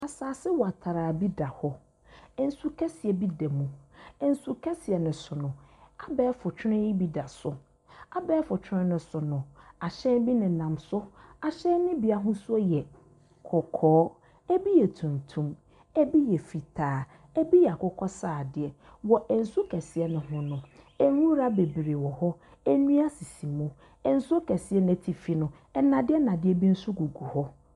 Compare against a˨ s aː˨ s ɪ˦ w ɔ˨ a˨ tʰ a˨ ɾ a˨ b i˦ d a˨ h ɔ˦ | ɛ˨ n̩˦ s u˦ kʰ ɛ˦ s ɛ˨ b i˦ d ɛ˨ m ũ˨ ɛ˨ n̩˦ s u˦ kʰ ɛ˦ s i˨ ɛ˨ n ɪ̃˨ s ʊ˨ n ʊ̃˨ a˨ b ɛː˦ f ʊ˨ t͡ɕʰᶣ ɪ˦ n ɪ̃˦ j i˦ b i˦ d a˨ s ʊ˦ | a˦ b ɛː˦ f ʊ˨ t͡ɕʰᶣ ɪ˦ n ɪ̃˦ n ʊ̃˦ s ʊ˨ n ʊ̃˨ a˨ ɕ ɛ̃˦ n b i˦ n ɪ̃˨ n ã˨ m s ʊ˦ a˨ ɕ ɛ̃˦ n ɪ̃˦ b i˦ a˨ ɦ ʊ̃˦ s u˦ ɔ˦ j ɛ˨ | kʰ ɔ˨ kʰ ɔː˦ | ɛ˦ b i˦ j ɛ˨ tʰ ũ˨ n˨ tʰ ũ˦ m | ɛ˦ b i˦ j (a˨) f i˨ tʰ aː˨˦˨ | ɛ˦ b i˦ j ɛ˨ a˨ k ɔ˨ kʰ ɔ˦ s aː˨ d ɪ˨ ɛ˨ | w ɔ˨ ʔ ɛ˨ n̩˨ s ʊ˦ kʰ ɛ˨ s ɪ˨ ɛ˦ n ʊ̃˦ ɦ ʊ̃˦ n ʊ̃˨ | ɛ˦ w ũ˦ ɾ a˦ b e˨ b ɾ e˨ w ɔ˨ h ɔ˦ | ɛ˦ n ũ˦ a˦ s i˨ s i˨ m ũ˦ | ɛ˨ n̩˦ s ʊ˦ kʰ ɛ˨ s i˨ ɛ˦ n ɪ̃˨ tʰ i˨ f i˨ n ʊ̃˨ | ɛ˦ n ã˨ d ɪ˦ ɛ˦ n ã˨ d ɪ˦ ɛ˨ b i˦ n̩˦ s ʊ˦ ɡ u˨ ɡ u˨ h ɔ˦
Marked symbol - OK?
no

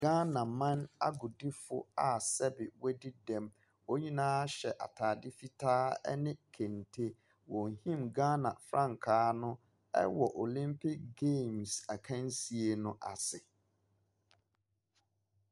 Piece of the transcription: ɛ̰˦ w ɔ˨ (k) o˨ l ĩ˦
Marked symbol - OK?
no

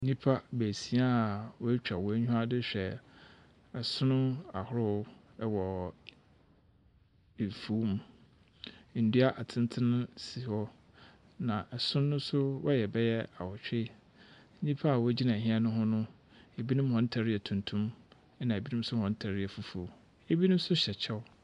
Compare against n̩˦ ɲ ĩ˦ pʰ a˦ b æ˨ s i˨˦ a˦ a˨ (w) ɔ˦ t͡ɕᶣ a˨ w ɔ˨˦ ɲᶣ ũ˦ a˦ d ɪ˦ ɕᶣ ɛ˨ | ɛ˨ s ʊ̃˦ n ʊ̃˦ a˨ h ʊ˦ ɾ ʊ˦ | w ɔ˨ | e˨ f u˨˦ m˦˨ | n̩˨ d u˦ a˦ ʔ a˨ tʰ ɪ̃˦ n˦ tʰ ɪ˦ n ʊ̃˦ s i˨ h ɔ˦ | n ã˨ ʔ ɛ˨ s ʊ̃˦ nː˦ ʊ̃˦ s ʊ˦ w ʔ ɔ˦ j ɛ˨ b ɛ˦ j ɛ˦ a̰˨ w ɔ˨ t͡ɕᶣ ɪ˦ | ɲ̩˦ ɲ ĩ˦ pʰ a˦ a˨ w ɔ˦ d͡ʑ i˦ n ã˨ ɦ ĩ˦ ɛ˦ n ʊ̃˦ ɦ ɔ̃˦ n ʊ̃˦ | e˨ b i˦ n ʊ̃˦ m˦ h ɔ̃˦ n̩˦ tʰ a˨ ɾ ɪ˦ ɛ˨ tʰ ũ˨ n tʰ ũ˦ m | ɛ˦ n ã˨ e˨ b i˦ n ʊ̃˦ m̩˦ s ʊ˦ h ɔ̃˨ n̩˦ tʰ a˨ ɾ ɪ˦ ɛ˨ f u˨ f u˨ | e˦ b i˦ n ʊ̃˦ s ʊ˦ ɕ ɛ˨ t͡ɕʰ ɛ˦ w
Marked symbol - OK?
yes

